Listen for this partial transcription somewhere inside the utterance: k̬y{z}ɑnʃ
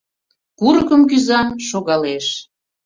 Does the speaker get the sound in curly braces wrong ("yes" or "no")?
no